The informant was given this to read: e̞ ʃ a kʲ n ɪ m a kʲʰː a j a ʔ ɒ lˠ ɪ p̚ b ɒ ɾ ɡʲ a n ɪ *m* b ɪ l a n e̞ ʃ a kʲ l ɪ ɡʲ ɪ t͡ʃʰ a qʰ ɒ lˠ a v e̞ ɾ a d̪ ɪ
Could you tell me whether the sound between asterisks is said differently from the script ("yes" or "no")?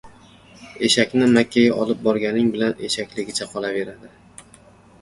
yes